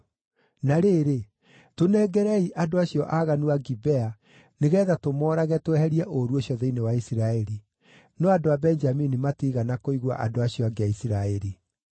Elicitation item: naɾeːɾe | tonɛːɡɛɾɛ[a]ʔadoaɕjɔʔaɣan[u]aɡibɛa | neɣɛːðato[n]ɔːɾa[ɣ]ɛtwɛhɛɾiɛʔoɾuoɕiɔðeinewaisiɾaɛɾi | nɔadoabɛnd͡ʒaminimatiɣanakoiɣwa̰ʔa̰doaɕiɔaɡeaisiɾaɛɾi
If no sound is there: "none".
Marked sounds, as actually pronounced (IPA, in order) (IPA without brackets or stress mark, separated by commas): i, u, m, ɣ